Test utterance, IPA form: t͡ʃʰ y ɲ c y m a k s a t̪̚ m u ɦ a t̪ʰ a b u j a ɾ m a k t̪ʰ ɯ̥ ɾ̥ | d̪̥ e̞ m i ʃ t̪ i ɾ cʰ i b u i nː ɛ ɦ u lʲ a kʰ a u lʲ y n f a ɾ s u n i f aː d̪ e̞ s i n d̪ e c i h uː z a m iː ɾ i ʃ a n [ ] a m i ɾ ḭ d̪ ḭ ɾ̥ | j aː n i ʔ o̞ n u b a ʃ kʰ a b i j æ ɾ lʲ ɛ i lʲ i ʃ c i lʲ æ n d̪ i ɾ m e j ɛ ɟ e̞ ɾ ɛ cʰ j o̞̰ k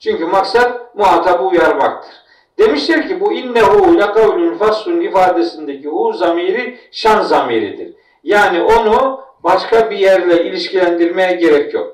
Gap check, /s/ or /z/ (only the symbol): z